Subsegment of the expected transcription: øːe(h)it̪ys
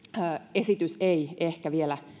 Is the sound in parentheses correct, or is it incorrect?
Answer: incorrect